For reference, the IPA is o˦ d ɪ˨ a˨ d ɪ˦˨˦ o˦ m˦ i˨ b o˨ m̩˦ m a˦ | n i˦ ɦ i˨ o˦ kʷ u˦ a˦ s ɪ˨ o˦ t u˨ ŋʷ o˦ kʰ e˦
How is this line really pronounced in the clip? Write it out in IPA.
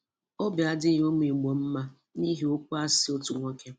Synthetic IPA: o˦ b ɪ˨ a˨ d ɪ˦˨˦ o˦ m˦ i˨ ɡ͡b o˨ m̩˦ m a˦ | n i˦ ɦ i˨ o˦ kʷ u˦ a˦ s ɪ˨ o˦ t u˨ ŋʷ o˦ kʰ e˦